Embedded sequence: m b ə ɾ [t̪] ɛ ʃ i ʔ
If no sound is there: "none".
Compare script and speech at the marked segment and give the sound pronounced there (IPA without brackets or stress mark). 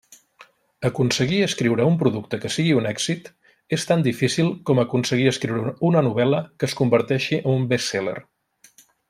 t̪